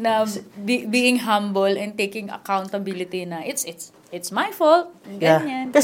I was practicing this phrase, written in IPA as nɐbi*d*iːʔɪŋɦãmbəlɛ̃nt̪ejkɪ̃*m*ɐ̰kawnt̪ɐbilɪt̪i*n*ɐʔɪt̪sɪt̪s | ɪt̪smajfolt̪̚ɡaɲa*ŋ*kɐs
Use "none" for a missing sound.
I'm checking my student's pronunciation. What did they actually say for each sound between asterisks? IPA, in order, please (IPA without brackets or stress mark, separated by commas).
b, ŋ, n, n